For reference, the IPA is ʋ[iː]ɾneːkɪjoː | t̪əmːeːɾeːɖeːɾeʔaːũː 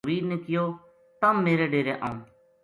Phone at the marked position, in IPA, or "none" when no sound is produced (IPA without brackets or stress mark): iː